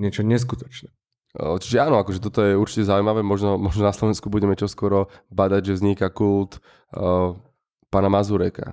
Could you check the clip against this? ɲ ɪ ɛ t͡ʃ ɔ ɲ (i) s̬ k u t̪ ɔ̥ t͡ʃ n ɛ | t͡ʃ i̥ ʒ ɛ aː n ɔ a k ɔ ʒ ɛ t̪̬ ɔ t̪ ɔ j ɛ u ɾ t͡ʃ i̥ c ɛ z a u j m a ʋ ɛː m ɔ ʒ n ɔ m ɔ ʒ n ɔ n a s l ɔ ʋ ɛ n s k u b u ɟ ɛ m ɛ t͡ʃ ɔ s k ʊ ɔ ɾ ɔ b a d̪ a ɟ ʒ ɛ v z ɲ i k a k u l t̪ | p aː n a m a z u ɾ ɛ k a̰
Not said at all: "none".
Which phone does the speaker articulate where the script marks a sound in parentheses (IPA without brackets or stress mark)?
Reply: ɛ